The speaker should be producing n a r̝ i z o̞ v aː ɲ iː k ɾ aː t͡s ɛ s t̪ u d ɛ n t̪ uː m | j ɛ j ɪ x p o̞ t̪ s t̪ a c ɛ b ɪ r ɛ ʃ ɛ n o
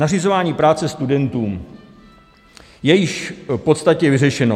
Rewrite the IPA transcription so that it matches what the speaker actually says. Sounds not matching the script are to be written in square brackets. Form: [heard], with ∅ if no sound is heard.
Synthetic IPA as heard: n a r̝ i z o̞ v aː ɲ iː [p] ɾ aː t͡s ɛ s t̪ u d ɛ n t̪ uː m | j ɛ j ɪ [ʃ] p o̞ t̪ s t̪ a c ɛ [v] ɪ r ɛ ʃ ɛ n o